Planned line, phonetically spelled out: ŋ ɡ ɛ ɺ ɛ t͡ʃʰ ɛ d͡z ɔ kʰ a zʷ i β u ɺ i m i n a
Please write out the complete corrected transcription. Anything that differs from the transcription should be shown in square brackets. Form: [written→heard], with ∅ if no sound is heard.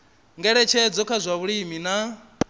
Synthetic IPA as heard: ŋ ɡ ɛ ɺ ɛ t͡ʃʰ ɛ d͡z ɔ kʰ a zʷ [i→a] β u ɺ i m i n a